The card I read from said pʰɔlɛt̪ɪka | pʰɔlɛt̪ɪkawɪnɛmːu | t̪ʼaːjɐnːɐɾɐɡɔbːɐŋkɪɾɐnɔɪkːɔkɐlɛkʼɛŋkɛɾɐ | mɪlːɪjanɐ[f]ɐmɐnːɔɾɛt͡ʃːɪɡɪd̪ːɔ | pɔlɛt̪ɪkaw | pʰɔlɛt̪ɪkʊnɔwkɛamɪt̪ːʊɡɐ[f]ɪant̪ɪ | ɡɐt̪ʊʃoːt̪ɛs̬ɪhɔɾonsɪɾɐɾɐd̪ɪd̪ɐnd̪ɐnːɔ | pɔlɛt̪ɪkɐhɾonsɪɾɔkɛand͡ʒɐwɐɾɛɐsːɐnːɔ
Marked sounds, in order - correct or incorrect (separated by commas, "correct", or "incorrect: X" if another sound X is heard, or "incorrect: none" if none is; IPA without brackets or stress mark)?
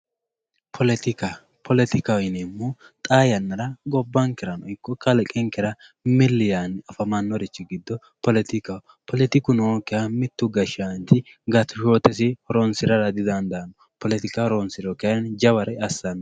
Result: correct, incorrect: ʃ